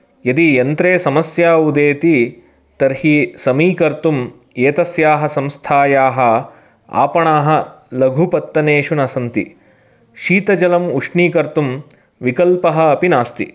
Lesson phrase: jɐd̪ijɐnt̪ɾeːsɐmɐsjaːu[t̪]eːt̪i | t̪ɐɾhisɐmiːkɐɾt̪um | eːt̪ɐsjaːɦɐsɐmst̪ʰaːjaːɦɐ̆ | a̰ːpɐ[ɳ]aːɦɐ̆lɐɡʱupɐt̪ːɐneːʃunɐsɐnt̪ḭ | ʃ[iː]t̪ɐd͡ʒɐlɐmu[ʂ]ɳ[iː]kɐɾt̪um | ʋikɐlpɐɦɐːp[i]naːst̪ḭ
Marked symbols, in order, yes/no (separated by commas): no, yes, yes, yes, yes, yes